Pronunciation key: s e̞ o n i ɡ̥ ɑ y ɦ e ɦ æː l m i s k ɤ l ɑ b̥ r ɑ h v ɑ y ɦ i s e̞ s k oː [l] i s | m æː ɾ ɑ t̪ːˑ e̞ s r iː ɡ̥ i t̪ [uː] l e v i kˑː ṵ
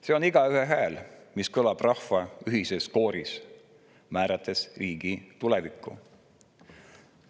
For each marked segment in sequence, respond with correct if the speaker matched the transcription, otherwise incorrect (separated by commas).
incorrect, incorrect